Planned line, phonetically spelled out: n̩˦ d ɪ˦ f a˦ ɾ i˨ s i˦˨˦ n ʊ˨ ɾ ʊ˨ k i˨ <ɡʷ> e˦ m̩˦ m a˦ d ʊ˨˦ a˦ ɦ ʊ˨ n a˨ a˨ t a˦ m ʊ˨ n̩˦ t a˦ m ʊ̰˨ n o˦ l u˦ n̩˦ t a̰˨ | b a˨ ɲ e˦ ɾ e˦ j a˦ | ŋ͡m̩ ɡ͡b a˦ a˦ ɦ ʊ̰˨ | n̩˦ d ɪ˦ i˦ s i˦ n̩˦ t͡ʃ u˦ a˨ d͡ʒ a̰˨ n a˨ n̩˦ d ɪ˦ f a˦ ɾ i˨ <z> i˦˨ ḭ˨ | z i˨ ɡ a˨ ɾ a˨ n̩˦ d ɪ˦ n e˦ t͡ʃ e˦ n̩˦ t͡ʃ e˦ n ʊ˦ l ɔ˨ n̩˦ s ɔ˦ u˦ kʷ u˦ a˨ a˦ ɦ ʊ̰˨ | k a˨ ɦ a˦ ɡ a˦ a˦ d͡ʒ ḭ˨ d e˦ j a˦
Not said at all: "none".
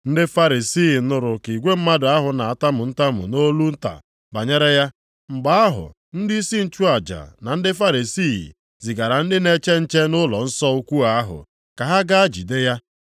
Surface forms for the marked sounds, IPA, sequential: ɡʷ, s

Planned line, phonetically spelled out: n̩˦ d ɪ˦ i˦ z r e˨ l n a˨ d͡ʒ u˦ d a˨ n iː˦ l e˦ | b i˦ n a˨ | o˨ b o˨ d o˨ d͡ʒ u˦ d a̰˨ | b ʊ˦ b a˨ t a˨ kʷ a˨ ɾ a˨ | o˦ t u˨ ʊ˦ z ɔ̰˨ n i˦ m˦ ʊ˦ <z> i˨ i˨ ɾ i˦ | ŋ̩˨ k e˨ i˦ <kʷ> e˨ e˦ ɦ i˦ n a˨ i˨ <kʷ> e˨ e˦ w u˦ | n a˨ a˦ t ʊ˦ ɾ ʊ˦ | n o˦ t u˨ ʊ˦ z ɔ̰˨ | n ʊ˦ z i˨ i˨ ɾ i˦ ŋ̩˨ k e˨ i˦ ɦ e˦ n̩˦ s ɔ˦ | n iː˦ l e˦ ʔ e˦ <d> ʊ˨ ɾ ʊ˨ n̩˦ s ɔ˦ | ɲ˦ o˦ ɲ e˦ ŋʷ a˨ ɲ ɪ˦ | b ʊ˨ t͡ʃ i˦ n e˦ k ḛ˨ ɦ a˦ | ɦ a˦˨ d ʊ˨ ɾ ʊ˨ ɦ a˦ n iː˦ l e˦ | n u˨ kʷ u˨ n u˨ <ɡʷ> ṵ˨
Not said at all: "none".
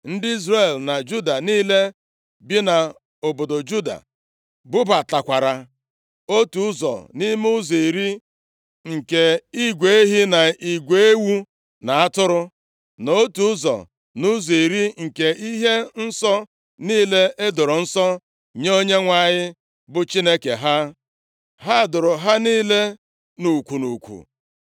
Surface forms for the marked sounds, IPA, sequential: z, ɡʷ, ɡʷ, d, kʷ

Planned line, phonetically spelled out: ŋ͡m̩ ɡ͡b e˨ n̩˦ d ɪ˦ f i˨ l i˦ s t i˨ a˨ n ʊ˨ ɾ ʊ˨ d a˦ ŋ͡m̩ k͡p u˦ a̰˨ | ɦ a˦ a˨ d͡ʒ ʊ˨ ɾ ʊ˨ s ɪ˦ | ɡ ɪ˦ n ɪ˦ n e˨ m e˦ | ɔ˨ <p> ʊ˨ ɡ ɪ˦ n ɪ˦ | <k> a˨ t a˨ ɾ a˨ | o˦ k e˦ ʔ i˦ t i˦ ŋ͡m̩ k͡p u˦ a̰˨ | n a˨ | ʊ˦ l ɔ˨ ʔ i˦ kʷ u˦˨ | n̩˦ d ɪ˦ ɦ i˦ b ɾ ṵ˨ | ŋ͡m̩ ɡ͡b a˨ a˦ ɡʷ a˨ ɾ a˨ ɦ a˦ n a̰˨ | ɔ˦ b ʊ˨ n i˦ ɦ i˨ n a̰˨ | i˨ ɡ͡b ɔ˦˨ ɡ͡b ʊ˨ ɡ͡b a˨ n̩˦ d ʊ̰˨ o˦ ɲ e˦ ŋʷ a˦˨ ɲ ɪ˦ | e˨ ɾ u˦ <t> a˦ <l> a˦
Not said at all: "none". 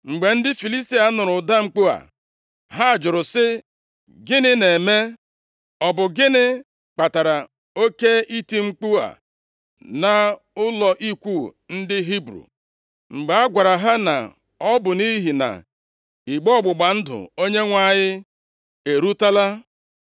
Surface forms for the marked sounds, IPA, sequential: b, k͡p, t, l

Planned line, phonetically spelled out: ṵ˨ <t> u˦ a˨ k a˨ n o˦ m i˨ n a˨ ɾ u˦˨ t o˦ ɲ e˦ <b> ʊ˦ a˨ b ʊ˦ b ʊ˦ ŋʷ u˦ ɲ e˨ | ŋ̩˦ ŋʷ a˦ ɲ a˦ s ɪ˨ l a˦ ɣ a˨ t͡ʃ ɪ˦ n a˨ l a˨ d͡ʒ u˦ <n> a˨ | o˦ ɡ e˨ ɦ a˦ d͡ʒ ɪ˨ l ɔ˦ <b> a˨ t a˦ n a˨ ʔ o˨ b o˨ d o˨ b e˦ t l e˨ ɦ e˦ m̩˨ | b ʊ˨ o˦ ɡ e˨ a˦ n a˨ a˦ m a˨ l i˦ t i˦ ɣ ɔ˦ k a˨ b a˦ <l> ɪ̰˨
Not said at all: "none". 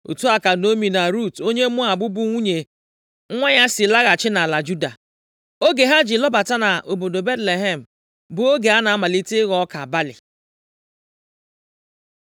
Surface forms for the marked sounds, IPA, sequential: t, m, d, b, l

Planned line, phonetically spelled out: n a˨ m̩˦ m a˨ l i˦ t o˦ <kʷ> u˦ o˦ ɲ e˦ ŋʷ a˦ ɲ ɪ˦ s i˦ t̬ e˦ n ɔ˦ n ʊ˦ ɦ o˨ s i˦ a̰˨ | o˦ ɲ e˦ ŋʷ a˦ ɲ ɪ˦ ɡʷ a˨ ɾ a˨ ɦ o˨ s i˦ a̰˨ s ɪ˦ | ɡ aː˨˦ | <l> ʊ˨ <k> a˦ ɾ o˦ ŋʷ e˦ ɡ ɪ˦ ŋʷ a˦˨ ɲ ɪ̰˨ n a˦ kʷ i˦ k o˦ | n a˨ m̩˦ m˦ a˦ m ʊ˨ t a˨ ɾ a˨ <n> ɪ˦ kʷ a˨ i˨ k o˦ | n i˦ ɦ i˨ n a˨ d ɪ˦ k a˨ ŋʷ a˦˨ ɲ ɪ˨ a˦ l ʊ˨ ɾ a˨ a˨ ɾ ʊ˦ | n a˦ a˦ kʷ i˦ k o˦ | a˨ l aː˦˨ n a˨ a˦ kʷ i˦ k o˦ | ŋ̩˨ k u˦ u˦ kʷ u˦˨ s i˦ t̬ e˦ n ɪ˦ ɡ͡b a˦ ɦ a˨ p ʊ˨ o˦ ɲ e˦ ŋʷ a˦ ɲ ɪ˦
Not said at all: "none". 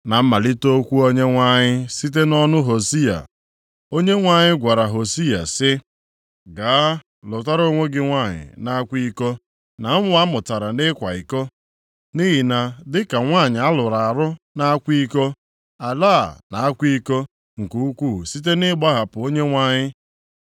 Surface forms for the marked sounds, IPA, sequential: kʷ, l, t, n

